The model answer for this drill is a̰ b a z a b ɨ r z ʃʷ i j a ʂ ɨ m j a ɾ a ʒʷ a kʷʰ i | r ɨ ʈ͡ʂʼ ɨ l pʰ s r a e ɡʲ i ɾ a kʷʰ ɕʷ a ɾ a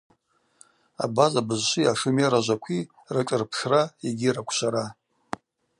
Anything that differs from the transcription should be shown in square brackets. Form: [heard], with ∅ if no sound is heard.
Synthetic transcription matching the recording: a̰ b a z a b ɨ [∅] z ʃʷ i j a ʂ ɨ m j a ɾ a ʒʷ a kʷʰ i | r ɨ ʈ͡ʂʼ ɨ [r] pʰ [ʂ] r a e ɡʲ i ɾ a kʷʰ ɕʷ a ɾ a